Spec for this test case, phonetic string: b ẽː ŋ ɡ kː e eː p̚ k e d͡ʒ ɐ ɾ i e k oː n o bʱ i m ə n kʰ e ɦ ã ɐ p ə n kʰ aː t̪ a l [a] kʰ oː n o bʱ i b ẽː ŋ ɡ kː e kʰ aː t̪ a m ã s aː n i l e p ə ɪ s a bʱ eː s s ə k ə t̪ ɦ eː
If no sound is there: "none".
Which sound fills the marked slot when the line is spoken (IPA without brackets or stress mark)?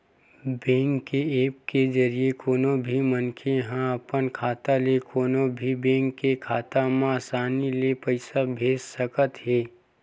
e